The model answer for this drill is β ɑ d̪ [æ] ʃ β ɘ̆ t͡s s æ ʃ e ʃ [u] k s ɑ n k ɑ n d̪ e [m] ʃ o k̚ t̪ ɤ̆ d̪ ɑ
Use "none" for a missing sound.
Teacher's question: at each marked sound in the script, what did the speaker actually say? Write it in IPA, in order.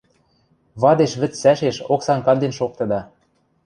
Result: e, o, n

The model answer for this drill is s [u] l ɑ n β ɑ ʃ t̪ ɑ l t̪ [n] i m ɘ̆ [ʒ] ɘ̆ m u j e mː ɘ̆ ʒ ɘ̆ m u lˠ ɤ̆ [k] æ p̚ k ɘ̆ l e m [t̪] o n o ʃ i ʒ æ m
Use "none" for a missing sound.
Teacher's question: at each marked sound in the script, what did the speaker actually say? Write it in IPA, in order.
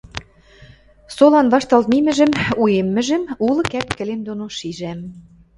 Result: o, m, ʒ, k, d̪

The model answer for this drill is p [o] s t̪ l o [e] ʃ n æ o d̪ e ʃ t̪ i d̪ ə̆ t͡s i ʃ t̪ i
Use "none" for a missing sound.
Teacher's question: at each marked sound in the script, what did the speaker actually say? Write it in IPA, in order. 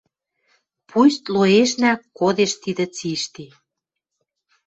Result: u, e

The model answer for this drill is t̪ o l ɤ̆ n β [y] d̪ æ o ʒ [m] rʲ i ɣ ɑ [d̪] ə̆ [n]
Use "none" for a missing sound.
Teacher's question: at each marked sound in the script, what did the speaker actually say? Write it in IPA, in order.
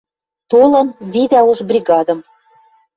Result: i, b, d̪, m

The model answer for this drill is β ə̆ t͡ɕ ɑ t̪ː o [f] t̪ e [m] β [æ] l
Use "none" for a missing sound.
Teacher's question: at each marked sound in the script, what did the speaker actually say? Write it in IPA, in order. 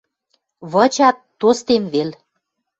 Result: s, m, e

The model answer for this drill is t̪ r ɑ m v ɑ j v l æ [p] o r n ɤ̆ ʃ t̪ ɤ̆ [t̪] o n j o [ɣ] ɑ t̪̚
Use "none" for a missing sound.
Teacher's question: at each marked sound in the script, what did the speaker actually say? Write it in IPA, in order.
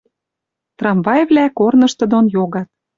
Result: k, d̪, ɣ

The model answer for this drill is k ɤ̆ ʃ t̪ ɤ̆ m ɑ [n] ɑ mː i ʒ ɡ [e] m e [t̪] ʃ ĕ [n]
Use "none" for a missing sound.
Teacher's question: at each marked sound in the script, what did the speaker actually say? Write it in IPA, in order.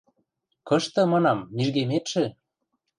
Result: n, e, t̪, none

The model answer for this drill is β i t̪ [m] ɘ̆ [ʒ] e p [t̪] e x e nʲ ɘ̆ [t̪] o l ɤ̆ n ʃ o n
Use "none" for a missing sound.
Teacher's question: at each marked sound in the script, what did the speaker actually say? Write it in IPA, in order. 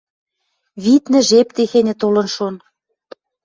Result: n, ʒ, t̪, t̪

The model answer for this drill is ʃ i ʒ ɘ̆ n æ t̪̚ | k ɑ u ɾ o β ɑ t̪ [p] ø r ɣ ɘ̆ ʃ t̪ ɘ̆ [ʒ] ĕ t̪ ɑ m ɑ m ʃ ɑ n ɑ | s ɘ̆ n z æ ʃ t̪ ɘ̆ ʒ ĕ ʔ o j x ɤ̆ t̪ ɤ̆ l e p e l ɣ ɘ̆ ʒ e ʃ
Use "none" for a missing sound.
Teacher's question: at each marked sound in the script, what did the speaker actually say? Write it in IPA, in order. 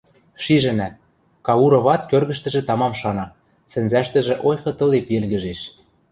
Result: k, ʒ

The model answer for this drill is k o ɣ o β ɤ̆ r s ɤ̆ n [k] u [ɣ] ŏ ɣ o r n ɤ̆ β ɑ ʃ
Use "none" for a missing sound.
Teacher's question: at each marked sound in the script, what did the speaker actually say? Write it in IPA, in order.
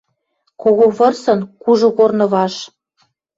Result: k, ʒ

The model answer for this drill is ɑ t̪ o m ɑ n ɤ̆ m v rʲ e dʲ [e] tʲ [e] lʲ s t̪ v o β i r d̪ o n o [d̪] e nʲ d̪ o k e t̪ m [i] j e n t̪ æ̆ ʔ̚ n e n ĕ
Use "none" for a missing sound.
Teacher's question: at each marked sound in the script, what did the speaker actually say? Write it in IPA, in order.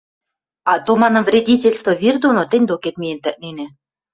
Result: i, e, t̪, i

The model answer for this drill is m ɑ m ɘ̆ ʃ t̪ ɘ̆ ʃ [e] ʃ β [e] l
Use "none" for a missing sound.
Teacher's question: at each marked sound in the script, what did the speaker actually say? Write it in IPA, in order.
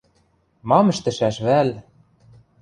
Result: æ, æ

